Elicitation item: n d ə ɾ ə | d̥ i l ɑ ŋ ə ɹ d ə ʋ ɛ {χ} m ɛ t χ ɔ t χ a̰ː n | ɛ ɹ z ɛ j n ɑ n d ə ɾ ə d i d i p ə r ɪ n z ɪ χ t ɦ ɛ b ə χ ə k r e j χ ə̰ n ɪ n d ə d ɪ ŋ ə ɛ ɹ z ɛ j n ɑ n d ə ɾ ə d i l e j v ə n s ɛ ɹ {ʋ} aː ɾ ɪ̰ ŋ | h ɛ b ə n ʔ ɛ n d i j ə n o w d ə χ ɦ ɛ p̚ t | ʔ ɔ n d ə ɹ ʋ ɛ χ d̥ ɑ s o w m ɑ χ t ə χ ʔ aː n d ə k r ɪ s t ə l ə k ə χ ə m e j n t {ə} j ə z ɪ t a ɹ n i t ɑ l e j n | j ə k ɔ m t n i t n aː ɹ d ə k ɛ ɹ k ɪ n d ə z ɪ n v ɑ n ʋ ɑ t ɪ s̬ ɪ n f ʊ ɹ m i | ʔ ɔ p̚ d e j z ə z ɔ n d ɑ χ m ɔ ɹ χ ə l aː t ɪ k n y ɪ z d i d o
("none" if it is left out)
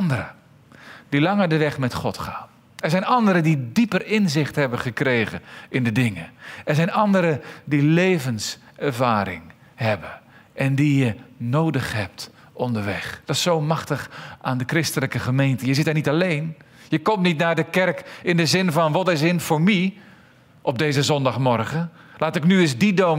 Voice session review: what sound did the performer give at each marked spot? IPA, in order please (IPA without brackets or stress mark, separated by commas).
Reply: χ, v, ə